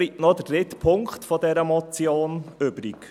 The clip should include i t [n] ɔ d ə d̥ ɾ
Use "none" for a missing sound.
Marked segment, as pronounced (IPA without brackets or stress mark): n